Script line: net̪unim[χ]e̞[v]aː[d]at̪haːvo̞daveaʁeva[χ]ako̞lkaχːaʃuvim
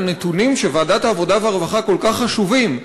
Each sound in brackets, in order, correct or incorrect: incorrect, correct, correct, correct

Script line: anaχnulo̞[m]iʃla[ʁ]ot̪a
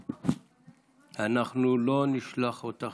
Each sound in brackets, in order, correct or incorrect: incorrect, incorrect

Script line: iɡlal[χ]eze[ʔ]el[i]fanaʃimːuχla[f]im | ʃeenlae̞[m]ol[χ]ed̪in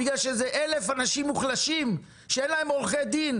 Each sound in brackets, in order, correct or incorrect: incorrect, correct, incorrect, incorrect, correct, correct

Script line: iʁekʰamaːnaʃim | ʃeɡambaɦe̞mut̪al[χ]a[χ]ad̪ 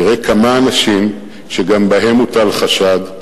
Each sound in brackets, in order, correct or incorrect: correct, incorrect

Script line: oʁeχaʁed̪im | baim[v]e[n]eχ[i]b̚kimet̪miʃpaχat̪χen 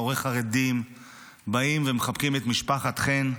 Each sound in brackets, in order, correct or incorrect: correct, incorrect, incorrect

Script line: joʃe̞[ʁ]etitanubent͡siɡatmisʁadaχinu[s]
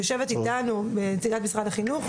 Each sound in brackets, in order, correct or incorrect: incorrect, incorrect

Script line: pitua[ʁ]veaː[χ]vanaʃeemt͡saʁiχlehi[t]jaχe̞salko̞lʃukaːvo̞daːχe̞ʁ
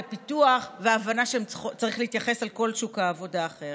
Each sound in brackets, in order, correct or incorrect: incorrect, incorrect, correct

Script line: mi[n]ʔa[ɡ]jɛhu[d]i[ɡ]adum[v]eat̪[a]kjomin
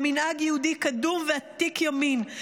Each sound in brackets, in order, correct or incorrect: correct, correct, correct, incorrect, correct, incorrect

